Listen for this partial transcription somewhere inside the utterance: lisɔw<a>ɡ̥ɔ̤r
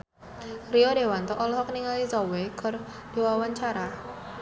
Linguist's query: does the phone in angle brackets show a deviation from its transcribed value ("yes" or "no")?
yes